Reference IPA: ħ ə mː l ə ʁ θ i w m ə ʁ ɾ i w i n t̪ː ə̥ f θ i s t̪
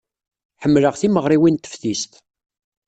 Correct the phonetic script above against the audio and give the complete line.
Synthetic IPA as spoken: ħ ə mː l ə ʁ θ i m ə ʁ ɾ i w i n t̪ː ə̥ f θ i s t̪